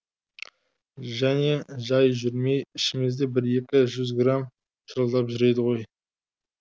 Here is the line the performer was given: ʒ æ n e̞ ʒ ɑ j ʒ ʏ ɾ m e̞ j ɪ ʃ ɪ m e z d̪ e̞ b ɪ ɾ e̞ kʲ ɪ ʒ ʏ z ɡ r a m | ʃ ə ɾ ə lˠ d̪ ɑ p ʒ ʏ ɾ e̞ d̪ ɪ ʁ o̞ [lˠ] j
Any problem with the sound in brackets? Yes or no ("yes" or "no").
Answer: yes